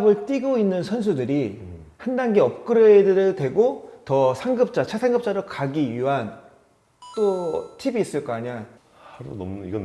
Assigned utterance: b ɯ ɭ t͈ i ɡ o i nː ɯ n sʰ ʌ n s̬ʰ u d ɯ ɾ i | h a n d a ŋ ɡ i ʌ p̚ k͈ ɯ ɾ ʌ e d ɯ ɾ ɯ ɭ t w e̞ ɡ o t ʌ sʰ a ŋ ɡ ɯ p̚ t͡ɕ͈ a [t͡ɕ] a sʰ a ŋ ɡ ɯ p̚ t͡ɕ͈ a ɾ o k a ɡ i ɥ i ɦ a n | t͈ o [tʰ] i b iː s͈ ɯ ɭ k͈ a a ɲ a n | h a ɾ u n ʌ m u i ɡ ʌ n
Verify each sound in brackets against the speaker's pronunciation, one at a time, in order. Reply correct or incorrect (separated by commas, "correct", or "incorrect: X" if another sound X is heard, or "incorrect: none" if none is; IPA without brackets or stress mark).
incorrect: t͡ɕʰ, correct